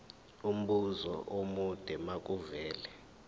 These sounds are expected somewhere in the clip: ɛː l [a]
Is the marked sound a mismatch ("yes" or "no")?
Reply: yes